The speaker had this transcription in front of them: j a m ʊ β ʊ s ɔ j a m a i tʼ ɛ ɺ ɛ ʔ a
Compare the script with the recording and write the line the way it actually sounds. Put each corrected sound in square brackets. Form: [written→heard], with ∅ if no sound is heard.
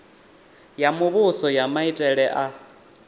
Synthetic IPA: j a m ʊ β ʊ s ɔ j a m a i tʼ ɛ ɺ ɛ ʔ a